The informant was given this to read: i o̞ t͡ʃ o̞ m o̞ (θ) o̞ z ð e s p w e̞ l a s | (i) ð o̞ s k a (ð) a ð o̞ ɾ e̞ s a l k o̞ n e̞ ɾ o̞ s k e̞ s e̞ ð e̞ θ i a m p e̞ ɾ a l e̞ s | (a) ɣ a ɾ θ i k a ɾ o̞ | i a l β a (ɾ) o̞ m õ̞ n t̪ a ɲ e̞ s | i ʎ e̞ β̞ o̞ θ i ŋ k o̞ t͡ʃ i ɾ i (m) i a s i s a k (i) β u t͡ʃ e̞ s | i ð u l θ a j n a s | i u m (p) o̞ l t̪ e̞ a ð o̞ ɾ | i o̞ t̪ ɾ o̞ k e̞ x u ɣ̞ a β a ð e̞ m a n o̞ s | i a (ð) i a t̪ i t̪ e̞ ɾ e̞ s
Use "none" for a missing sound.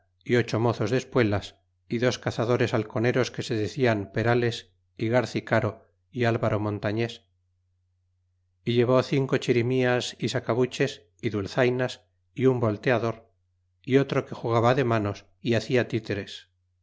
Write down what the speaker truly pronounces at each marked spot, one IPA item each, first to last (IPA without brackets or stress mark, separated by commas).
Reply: θ, i, θ, i, ɾ, m, a, b, θ